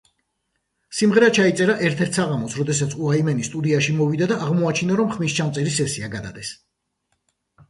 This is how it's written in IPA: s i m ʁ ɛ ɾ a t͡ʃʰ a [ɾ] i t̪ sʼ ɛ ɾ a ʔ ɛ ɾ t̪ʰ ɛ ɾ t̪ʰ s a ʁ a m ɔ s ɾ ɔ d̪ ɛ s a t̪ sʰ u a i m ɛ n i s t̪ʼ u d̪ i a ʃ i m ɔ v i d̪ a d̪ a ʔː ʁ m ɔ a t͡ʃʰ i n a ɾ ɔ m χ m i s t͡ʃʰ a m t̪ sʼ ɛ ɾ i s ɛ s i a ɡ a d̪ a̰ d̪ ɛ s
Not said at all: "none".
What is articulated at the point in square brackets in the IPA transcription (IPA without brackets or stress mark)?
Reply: none